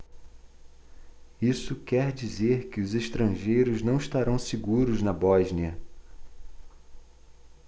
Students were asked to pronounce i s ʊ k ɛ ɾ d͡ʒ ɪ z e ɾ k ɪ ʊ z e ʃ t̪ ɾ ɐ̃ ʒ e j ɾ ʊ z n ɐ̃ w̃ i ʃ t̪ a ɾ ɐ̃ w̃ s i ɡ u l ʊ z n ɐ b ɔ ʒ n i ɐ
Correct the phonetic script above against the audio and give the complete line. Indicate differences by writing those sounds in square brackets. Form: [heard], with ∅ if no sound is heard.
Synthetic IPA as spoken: i s ʊ k ɛ ɾ d͡ʒ [i] z e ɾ k ɪ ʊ z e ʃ t̪ ɾ ɐ̃ ʒ e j ɾ ʊ z n ɐ̃ w̃ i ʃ t̪ a ɾ ɐ̃ w̃ s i ɡ u [ɾ] ʊ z n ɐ b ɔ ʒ n i ɐ